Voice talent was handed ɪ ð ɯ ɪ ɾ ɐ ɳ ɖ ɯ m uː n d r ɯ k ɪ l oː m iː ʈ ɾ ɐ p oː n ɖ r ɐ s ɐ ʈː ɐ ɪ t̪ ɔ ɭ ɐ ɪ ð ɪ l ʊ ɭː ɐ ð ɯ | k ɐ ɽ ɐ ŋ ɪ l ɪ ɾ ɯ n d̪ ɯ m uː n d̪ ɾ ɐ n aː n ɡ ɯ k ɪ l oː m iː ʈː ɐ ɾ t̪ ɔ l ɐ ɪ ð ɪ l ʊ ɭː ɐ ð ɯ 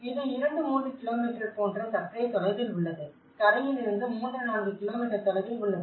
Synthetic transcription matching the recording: ɪ ð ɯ ɪ ɾ ɐ ɳ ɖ ɯ m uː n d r ɯ k ɪ l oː m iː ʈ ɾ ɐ p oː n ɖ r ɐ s ɐ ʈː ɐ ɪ t̪ ɔ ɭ ɐ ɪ ð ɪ l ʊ ɭː ɐ ð ɯ | k ɐ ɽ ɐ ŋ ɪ l ɪ ɾ ɯ n d̪ ɯ m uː n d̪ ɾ ɐ n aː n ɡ ɯ k ɪ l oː m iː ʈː ɐ ɾ t̪ ɔ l ɐ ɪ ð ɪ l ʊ ɭː ɐ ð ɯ

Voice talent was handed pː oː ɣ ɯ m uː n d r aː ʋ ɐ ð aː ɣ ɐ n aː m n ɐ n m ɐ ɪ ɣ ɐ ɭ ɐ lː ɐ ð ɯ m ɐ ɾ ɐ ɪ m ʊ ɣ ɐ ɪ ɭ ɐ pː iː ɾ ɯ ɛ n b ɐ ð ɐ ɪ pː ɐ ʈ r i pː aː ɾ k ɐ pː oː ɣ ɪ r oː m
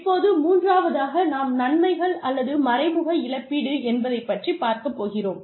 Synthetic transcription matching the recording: pː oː ð ɯ m uː n d r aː ʋ ɐ ð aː ɣ ɐ n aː m n ɐ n m ɐ ɪ ɣ ɐ ɭ ɐ lː ɐ ð ɯ m ɐ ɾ ɐ ɪ m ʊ ɣ ɐ ɪ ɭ ɐ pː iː ɽ ɯ ɛ n b ɐ ð ɐ ɪ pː ɐ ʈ r i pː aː ɾ k ɐ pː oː ɣ ɪ r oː m

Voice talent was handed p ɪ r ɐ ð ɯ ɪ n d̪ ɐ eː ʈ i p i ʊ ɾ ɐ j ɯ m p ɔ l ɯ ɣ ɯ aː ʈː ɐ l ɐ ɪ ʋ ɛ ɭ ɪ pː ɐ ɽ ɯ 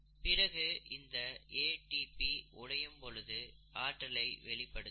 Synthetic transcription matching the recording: p ɪ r ɐ ɣ ɯ ɪ n d̪ ɐ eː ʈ i p i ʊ ɽ ɐ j ɯ m p ɔ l ɯ ð ɯ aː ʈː ɐ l ɐ ɪ ʋ ɛ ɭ ɪ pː ɐ ɽ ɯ

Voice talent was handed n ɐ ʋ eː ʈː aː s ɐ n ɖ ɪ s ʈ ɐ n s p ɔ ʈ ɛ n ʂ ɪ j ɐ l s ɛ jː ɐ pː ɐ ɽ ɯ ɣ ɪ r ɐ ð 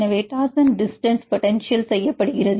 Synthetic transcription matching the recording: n ɐ ʋ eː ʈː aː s ɐ n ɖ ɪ s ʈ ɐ n s p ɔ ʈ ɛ n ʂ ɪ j ɐ l s ɛ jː ɐ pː ɐ ɽ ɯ ɣ ɪ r ɐ ð

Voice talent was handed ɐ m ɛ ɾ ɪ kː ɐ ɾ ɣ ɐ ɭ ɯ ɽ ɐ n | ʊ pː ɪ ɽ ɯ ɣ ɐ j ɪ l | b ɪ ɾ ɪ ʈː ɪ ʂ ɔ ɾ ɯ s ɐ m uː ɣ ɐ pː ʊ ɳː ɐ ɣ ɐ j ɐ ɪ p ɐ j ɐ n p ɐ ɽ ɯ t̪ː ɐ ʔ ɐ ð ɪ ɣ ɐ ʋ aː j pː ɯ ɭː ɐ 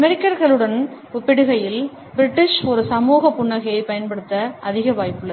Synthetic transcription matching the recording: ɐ m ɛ ɾ ɪ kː ɐ ɾ ɣ ɐ ɭ ɯ ɽ ɐ n | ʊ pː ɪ ɽ ɯ ɣ ɐ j ɪ l | b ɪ ɾ ɪ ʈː ɪ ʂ ɔ ɾ ɯ s ɐ m uː ɣ ɐ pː ʊ ɳː ɐ ɣ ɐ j ɐ ɪ p ɐ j ɐ n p ɐ ɽ ɯ t̪ː ɐ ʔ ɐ ð ɪ ɣ ɐ ʋ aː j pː ɯ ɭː ɐ

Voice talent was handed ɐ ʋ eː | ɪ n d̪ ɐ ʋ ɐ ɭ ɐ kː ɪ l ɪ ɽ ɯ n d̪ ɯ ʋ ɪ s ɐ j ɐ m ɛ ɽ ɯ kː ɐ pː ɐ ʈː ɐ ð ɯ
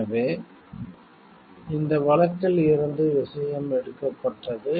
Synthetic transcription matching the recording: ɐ ʋ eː | ɪ n d̪ ɐ ʋ ɐ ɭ ɐ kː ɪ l ɪ ɾ ɯ n d̪ ɯ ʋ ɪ s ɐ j ɐ m ɛ ɽ ɯ kː ɐ pː ɐ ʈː ɐ ð ɯ

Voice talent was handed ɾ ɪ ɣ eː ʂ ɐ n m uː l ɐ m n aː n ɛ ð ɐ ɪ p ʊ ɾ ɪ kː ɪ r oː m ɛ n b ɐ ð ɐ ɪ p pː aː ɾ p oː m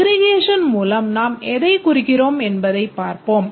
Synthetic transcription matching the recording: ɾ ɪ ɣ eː ʂ ɐ n m uː l ɐ m n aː m ɛ ð ɐ ɪ k ʊ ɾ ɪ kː ɪ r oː m ɛ n b ɐ ð ɐ ɪ p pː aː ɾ p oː m

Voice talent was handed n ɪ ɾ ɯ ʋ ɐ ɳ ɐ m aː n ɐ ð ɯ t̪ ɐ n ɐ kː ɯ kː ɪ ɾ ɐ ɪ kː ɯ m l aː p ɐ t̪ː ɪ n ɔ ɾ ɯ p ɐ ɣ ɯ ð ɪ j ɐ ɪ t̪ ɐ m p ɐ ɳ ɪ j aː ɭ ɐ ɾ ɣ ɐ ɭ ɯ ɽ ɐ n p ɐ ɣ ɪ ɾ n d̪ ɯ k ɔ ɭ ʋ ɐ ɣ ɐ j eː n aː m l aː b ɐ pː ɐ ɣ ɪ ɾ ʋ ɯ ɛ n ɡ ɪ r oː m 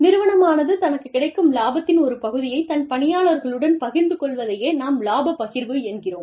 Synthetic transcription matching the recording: n ɪ ɾ ɯ ʋ ɐ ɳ ɐ m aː n ɐ ð ɯ t̪ ɐ n ɐ kː ɯ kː ɪ ɽ ɐ ɪ kː ɯ m l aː b ɐ t̪ː ɪ n ɔ ɾ ɯ p ɐ ɣ ɯ ð ɪ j ɐ ɪ t̪ ɐ n p ɐ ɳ ɪ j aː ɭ ɐ ɾ ɣ ɐ ɭ ɯ ɽ ɐ n p ɐ ɣ ɪ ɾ n d̪ ɯ k ɔ ɭ ʋ ɐ ð ɐ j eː n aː m l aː b ɐ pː ɐ ɣ ɪ ɾ ʋ ɯ ɛ n ɡ ɪ r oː m

